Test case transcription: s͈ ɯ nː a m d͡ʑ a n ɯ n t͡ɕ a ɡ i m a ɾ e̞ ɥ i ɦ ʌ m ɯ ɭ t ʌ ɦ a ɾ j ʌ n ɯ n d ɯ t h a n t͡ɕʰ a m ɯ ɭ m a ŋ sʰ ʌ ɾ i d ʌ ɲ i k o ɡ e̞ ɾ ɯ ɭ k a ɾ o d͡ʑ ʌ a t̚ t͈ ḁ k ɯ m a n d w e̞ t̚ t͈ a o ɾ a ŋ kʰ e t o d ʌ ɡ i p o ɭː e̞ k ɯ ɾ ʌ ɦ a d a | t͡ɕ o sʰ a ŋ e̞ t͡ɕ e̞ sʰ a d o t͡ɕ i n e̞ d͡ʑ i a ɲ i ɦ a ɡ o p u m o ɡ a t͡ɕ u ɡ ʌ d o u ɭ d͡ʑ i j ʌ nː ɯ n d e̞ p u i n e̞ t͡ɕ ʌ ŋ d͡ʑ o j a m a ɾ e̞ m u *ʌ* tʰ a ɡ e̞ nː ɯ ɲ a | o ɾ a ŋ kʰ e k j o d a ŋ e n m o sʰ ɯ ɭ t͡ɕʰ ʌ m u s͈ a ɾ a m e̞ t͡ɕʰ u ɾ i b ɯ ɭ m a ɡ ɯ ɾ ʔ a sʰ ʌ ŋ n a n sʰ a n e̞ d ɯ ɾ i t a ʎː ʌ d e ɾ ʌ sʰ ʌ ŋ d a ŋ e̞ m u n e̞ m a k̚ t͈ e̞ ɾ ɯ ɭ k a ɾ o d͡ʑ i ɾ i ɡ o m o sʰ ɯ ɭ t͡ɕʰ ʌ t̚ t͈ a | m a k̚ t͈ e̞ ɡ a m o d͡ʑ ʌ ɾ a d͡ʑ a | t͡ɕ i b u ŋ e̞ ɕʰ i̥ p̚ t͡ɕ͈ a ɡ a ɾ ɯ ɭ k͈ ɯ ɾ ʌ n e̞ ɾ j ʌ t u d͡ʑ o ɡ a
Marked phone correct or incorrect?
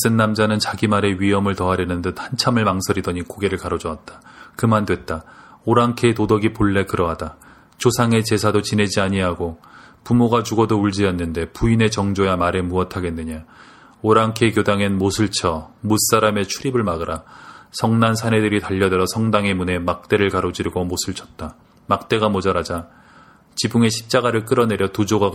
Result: correct